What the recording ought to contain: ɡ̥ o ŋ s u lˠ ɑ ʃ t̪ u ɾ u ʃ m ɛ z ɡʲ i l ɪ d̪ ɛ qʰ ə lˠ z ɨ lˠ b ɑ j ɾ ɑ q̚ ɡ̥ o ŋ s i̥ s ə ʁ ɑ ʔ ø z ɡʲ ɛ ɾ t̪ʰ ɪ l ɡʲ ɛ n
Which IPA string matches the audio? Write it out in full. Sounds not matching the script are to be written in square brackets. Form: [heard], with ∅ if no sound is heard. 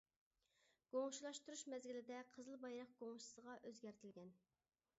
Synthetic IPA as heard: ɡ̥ o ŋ [ʃ] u lˠ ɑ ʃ t̪ u ɾ u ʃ m ɛ z ɡʲ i l ɪ d̪ ɛ qʰ ə [∅] z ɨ lˠ b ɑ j ɾ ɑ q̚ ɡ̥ o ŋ [ʃ] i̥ s ə ʁ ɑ ʔ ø z ɡʲ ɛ ɾ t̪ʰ ɪ l ɡʲ ɛ n